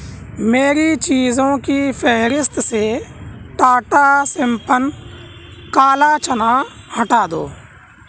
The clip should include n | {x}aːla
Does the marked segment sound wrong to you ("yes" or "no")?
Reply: yes